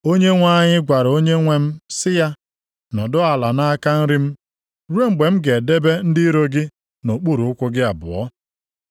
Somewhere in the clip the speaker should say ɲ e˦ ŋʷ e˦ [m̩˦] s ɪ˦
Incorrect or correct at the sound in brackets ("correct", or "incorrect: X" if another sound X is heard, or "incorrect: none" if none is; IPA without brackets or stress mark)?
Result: correct